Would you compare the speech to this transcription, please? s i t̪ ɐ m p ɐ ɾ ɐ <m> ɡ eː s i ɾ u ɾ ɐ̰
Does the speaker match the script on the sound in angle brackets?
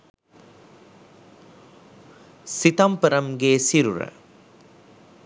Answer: yes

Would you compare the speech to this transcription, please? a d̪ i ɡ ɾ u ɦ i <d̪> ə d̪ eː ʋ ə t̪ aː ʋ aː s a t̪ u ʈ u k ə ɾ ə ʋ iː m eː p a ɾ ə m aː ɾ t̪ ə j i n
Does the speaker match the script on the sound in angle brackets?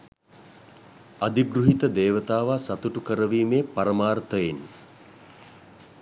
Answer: no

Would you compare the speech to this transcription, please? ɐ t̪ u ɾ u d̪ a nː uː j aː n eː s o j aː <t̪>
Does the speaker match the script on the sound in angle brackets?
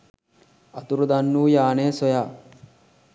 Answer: no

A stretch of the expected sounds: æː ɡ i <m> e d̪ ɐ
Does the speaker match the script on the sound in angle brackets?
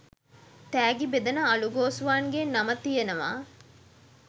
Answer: no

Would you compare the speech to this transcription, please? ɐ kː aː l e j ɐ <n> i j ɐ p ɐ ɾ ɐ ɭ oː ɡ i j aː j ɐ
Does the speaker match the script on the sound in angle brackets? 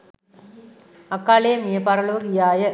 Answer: no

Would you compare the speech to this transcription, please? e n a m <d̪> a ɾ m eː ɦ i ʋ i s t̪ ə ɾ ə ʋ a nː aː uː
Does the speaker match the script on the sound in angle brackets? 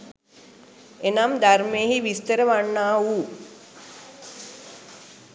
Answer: yes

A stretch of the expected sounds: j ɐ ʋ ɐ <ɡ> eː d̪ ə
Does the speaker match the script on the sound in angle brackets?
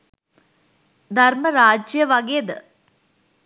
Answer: yes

